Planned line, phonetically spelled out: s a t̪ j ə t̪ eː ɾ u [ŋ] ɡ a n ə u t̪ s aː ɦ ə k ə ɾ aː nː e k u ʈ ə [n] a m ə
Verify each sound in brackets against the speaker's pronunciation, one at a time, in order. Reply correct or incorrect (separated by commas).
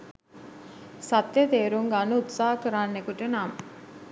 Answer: correct, correct